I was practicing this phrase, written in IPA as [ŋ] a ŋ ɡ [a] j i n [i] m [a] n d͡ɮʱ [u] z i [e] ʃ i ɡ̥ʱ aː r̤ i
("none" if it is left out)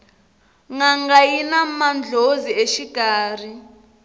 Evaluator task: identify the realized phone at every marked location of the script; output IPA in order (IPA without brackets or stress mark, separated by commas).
ŋ, a, a, a, o, e